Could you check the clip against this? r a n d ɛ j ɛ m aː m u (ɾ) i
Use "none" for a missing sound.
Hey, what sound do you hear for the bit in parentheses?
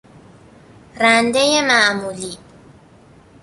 l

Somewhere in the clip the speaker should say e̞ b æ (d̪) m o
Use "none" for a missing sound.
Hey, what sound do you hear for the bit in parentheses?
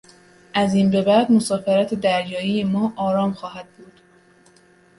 d̪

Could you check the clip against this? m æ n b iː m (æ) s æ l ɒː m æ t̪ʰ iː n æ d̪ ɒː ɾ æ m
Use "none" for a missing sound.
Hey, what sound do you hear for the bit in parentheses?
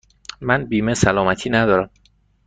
e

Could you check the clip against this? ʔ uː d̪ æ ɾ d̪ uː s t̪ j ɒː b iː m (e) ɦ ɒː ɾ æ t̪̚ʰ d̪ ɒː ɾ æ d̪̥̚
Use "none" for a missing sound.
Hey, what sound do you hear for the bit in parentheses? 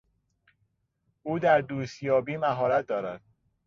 æ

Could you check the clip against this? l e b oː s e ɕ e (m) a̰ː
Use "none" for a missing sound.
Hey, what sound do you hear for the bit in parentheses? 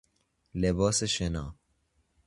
n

